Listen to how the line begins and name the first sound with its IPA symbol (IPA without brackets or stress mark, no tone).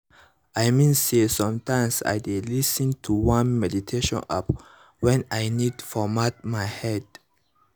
a